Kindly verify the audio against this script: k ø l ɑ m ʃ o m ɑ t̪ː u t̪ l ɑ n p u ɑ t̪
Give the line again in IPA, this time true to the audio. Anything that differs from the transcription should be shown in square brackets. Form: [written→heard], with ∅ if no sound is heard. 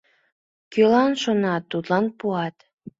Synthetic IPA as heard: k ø l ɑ [m→n] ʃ o [m→n] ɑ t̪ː u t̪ l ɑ n p u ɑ t̪